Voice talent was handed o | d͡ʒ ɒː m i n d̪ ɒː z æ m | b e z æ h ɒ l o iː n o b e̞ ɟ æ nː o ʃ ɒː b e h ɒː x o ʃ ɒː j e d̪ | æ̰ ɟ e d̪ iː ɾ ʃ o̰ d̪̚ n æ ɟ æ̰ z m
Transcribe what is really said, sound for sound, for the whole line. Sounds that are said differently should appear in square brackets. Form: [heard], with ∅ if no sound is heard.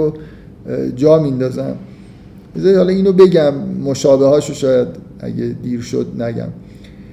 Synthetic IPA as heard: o | d͡ʒ ɒː m i n d̪ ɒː z æ m | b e z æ h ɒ l [ɒ] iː n o b e̞ ɟ æ [mː] o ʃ ɒː b e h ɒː [ʃ] o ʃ ɒː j [æ] d̪ | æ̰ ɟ e d̪ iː ɾ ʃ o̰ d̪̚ n æ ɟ æ̰ [∅] m